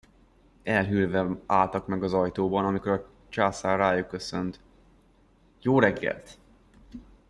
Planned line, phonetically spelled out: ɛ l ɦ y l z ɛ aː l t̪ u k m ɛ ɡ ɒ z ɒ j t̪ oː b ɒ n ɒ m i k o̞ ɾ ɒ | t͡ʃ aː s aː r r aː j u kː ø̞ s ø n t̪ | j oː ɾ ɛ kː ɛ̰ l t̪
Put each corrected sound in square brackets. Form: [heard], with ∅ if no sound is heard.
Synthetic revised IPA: ɛ l ɦ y l [v] ɛ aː l t̪ [ɒ] k m ɛ ɡ ɒ z ɒ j t̪ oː b ɒ n ɒ m i k o̞ ɾ ɒ | t͡ʃ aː s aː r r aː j u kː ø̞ s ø n t̪ | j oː ɾ ɛ [ɡː] ɛ̰ l t̪

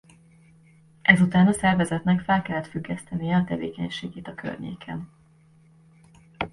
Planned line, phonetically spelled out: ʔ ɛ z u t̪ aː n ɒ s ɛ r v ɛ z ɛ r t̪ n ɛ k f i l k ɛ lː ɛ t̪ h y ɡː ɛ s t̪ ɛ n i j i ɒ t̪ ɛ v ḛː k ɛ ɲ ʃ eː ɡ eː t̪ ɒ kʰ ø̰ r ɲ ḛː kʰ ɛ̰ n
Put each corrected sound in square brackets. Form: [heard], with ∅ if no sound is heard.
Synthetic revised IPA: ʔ ɛ z u t̪ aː n ɒ s ɛ r v ɛ z ɛ [∅] t̪ n ɛ k f [ɛ] l k ɛ lː ɛ t̪ [f] y ɡː ɛ s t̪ ɛ n i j [ɛ] ɒ t̪ ɛ v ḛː k ɛ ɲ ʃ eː ɡ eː t̪ ɒ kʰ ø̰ r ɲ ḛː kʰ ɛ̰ n

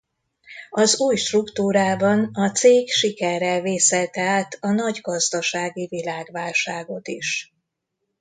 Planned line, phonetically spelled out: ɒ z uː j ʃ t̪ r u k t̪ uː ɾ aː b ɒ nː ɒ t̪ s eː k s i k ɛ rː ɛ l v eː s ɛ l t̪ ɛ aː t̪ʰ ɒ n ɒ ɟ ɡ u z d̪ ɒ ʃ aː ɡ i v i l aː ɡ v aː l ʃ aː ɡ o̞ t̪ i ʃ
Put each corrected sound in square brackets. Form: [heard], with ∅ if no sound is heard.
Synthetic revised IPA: ɒ z uː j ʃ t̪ r u k t̪ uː ɾ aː b ɒ [n] ɒ t̪ s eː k [ʃ] i k ɛ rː ɛ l v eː s ɛ l t̪ ɛ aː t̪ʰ ɒ n ɒ ɟ ɡ [ɒ] z d̪ ɒ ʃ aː ɡ i v i l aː ɡ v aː l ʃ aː ɡ o̞ t̪ i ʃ

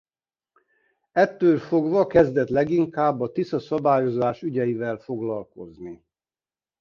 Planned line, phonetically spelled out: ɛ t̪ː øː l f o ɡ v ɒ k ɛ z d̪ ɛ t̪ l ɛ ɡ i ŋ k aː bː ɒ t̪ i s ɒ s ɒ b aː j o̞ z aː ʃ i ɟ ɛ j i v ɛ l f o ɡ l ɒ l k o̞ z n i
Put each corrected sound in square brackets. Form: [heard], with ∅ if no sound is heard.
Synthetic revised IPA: ɛ t̪ː øː l f o ɡ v ɒ k ɛ z d̪ ɛ t̪ l ɛ ɡ i ŋ k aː bː ɒ t̪ i s ɒ s ɒ b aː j o̞ z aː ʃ [y] ɟ ɛ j i v ɛ l f o ɡ l ɒ l k o̞ z n i

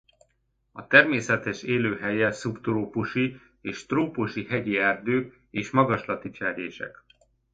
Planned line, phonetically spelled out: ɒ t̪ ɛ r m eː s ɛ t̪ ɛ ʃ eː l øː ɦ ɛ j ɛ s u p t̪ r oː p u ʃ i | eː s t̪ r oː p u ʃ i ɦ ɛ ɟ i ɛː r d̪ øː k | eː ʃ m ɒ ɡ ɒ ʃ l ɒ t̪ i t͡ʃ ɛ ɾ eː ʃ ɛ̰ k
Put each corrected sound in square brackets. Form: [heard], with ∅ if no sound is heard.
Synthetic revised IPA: ɒ t̪ ɛ r m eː s ɛ t̪ ɛ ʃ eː l øː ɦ ɛ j ɛ s u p t̪ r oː p u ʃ i | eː [ʃ] t̪ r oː p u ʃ i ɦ ɛ ɟ i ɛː r d̪ øː k | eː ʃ m ɒ ɡ ɒ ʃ l ɒ t̪ i t͡ʃ ɛ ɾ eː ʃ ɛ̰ k

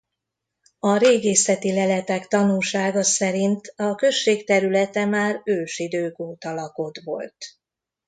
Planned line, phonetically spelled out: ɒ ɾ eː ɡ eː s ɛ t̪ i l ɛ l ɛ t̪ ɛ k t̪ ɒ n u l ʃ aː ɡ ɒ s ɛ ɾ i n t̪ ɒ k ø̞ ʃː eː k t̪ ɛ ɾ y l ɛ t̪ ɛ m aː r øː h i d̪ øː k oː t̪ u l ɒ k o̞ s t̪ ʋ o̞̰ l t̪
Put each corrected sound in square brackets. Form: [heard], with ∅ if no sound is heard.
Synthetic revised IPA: ɒ ɾ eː ɡ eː s ɛ t̪ i l ɛ l ɛ t̪ ɛ k t̪ ɒ n u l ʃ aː ɡ ɒ s ɛ ɾ i n t̪ ɒ k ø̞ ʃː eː k t̪ ɛ ɾ y l ɛ t̪ ɛ m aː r øː [ʃ] i d̪ øː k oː t̪ [ɒ] l ɒ k o̞ [∅] t̪ ʋ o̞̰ l t̪

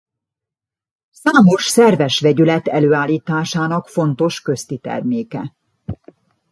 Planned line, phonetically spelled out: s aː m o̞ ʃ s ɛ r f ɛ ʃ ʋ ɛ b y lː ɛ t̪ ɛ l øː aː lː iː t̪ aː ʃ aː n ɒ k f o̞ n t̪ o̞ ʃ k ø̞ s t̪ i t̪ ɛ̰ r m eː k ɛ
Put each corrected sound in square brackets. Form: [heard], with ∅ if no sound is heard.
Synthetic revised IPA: s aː m o̞ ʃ s ɛ r [v] ɛ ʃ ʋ ɛ [ɟ] y [l] ɛ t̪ ɛ l øː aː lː iː t̪ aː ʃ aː n ɒ k f o̞ n t̪ o̞ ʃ k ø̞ s t̪ i t̪ ɛ̰ r m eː k ɛ

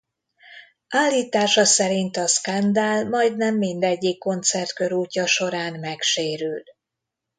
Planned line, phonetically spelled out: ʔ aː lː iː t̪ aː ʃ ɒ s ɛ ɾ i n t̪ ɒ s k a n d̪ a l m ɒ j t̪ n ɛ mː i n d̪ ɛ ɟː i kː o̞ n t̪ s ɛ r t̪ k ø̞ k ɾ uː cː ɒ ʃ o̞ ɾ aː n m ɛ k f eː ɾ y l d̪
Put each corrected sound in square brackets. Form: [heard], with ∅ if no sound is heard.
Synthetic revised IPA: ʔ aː lː iː t̪ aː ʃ ɒ s ɛ ɾ i n t̪ ɒ s k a n d̪ a l m ɒ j [d̪] n ɛ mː i n d̪ ɛ ɟː i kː o̞ n t̪ s ɛ r t̪ k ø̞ [∅] ɾ uː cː ɒ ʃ o̞ ɾ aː n m ɛ k [ʃ] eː ɾ y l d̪

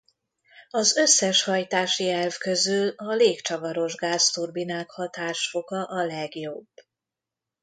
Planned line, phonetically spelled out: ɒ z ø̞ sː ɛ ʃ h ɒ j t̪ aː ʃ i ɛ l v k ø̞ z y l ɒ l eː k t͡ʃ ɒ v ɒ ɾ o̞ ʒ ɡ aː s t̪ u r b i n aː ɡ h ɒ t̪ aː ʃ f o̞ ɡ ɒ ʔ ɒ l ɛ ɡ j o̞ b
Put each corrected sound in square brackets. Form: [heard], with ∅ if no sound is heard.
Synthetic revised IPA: ɒ z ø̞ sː ɛ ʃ h ɒ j t̪ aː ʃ i ɛ l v k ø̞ z y l ɒ l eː k t͡ʃ ɒ v ɒ ɾ o̞ ʒ ɡ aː s t̪ u r b i n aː [k] h ɒ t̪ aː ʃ f o̞ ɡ ɒ ʔ ɒ l ɛ ɡ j o̞ b

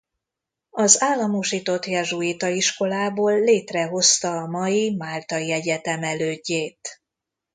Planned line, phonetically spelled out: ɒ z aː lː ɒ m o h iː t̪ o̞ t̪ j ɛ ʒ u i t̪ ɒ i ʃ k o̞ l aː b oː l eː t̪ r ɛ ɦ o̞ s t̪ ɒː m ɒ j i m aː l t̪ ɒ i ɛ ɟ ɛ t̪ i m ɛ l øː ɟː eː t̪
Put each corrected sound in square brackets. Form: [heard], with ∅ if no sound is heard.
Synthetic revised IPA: ɒ z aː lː ɒ m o [ʃ] iː t̪ o̞ t̪ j ɛ ʒ u i t̪ ɒ i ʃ k o̞ l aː b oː [lː] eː t̪ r ɛ ɦ o̞ s t̪ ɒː m ɒ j i m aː l t̪ ɒ i ɛ ɟ ɛ t̪ [ɛ] m ɛ l øː ɟː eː t̪

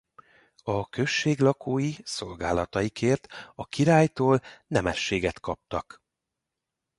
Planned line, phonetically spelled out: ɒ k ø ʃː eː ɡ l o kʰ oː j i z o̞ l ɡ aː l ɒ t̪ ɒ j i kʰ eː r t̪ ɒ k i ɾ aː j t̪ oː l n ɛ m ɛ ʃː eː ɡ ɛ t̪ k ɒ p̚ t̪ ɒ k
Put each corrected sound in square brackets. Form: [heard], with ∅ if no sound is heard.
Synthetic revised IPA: ɒ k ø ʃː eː ɡ l [ɒ] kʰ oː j i [s] o̞ l ɡ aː l ɒ t̪ ɒ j i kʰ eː r t̪ ɒ k i ɾ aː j t̪ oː l n ɛ m ɛ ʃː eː ɡ ɛ t̪ k ɒ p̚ t̪ ɒ k

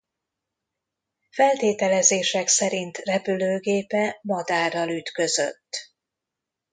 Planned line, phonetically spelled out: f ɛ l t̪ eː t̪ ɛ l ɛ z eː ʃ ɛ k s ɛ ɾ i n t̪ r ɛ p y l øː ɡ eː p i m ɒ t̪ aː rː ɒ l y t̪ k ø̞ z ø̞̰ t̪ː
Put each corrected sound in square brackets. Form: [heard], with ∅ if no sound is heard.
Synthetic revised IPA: f ɛ l t̪ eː t̪ ɛ l ɛ z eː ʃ ɛ k s ɛ ɾ i n t̪ r ɛ p y l øː ɡ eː p [ɛ] m ɒ [d̪] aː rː ɒ l y t̪ k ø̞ z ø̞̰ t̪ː

